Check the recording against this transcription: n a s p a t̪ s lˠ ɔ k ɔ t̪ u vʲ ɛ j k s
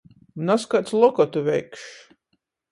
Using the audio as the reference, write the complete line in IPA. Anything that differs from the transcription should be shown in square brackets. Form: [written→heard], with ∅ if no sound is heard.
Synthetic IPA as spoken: n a s [p→k] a t̪ s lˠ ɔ k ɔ t̪ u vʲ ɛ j k [s→ʃ]

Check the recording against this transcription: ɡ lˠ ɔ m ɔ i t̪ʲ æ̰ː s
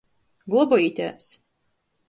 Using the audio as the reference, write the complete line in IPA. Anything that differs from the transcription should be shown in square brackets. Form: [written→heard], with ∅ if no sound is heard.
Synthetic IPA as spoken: ɡ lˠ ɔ [m→b] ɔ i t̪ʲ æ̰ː s

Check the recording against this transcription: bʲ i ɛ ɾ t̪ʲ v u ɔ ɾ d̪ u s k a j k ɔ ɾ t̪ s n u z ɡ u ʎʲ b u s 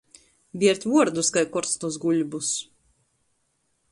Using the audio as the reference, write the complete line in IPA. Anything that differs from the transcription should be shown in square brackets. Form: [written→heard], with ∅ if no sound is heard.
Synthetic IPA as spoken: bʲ i ɛ ɾ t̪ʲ v u ɔ ɾ d̪ u s k a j k ɔ ɾ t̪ s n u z ɡ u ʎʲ b u s

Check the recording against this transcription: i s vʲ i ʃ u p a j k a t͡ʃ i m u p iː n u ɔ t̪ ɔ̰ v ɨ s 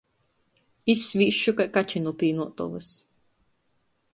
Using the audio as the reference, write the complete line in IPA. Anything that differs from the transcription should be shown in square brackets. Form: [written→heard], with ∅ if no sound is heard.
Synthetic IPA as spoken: i s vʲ i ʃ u [p→k] a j k a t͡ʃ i [m→n] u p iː n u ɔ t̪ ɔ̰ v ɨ s

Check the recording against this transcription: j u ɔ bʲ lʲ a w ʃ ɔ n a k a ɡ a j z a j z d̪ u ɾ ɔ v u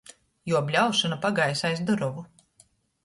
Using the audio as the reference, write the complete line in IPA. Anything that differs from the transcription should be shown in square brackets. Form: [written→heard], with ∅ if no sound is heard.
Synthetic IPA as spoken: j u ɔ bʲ lʲ a w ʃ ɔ n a [k→p] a ɡ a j [z→s] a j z d̪ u ɾ ɔ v u

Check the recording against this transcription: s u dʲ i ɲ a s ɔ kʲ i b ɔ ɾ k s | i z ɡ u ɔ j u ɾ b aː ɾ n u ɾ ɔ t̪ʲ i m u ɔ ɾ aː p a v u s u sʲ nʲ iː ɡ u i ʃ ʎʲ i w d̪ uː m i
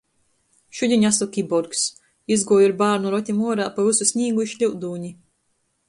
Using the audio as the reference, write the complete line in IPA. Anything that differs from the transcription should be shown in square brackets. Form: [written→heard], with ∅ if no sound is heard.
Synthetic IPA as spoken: [s→ʃ] u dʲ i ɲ a s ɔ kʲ i b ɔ ɾ k s | i z ɡ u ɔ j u ɾ b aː ɾ n u ɾ ɔ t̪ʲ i m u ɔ ɾ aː p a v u s u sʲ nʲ iː ɡ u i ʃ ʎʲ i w d̪ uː [m→ɲ] i

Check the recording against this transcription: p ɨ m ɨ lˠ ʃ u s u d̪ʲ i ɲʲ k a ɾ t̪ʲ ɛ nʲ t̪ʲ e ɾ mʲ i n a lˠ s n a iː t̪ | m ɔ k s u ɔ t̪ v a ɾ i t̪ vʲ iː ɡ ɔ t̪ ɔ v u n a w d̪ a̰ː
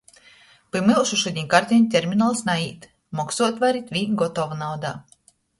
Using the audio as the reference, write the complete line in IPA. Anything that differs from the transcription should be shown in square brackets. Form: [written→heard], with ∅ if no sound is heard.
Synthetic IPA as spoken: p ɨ m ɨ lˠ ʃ u [s→ʃ] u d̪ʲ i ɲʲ k a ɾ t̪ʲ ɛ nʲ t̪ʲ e ɾ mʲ i n a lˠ s n a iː t̪ | m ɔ k s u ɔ t̪ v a ɾ i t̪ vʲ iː ɡ ɔ t̪ ɔ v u n a w d̪ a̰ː

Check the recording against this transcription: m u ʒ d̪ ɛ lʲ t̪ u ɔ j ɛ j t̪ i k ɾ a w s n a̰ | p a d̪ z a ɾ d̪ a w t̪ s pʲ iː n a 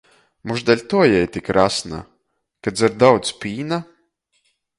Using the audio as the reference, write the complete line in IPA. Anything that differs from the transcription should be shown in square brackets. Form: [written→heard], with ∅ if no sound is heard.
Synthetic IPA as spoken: m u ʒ d̪ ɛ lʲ t̪ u ɔ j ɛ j t̪ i k ɾ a [w→∅] s n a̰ | [p→k] a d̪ z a ɾ d̪ a w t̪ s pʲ iː n a

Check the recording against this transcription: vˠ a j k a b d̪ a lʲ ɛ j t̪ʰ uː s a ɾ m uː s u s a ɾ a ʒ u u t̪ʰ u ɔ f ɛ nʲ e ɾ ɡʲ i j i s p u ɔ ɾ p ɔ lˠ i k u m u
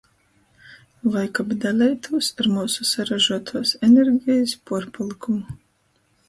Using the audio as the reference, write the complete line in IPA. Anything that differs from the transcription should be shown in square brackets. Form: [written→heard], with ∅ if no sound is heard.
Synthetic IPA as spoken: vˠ a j k a b d̪ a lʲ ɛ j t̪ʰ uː s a ɾ m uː s u s a ɾ a ʒ u [u→ɔ] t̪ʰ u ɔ [f→s] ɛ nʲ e ɾ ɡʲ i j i s p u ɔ ɾ p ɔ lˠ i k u m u

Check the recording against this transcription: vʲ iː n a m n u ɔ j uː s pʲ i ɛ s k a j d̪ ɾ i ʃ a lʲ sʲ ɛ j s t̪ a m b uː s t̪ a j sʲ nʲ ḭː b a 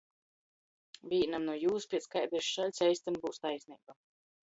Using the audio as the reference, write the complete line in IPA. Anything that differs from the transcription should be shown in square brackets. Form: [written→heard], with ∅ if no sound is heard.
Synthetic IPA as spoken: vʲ iː n a m n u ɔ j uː s pʲ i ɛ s k a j d̪ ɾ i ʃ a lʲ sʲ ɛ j s t̪ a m b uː s t̪ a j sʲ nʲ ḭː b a

